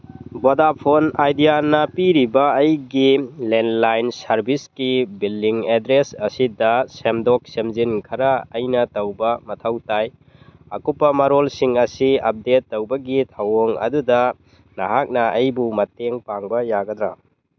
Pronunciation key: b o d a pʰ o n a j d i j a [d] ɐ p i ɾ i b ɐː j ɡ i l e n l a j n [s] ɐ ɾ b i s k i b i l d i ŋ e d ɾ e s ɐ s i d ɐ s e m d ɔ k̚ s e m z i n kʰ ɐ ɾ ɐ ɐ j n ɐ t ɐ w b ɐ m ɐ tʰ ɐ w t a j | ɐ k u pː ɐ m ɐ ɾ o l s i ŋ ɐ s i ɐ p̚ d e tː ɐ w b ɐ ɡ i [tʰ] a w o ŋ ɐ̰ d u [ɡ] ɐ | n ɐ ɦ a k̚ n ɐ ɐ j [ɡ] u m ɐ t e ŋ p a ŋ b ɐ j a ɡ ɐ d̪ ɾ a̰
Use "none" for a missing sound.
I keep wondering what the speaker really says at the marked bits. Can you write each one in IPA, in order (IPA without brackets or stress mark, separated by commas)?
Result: n, s, tʰ, d, b